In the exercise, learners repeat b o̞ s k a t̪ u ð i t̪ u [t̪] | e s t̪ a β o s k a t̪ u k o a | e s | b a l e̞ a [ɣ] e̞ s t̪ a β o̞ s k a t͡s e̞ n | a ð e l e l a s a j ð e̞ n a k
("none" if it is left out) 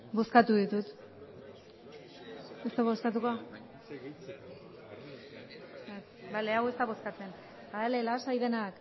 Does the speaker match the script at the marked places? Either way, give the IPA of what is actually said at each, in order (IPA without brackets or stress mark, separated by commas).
t̪, w